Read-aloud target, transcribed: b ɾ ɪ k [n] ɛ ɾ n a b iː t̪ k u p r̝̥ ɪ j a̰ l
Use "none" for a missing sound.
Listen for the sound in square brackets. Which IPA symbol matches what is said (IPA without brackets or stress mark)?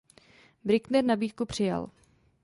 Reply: n